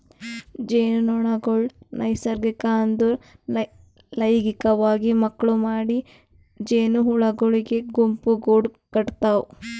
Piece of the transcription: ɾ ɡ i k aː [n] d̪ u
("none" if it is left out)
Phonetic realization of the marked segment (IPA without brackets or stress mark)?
n